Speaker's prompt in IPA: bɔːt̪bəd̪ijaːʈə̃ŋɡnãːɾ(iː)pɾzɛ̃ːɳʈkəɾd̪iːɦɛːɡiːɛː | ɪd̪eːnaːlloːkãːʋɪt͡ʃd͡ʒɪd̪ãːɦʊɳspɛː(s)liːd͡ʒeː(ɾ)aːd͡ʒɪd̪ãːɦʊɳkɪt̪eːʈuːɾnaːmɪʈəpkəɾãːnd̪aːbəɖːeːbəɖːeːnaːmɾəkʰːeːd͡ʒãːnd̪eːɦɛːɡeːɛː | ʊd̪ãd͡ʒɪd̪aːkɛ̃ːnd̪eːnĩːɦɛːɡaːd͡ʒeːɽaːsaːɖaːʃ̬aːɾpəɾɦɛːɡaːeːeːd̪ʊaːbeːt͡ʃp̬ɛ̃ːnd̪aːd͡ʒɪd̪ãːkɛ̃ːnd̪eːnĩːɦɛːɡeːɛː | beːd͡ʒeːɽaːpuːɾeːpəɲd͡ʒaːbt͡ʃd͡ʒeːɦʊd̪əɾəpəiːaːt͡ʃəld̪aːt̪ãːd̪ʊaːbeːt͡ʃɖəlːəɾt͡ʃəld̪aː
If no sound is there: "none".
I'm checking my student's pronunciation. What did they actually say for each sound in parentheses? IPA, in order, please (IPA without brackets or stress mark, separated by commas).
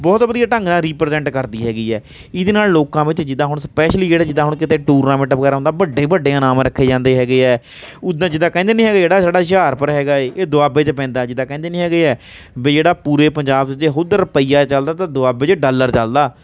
iː, ʃ, ɽ